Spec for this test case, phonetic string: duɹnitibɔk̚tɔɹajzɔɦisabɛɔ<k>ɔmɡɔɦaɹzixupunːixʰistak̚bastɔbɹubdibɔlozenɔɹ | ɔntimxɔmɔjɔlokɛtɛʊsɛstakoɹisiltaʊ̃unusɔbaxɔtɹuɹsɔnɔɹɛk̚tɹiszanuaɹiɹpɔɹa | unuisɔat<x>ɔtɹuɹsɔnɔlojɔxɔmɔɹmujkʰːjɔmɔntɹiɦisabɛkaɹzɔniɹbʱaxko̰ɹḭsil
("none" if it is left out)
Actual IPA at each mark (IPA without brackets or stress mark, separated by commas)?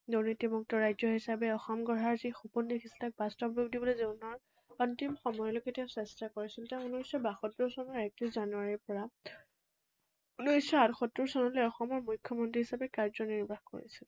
x, x